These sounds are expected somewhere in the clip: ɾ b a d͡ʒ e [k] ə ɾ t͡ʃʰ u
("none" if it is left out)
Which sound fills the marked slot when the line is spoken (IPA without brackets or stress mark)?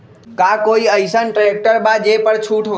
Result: p